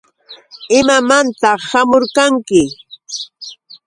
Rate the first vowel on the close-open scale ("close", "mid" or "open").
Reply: close